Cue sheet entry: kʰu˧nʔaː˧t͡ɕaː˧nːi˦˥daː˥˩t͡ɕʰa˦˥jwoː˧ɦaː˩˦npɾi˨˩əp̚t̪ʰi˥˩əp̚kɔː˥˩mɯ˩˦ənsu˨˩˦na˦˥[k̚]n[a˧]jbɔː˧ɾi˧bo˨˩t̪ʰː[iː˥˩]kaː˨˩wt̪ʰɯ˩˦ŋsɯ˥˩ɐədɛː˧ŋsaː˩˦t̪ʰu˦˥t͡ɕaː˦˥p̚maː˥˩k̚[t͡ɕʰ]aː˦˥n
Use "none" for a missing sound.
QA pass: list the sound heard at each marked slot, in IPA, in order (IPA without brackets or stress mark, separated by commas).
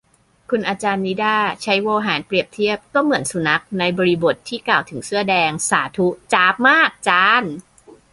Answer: k̚, a˧, iː˥˩, t͡ɕ